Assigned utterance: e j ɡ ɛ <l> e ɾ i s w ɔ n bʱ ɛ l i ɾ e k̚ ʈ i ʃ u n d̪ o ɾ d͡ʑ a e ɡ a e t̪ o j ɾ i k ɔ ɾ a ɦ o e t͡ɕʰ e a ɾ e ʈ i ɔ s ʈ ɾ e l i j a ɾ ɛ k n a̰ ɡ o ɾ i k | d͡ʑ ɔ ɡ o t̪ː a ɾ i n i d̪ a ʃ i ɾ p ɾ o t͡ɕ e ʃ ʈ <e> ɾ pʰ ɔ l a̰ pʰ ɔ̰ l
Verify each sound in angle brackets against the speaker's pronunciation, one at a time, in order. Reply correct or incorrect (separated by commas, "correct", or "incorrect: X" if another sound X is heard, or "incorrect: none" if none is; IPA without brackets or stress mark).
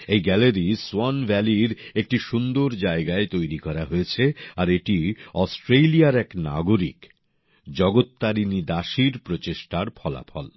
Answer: correct, incorrect: a